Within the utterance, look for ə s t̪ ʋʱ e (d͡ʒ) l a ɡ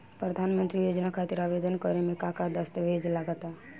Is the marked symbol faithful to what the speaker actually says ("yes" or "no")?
yes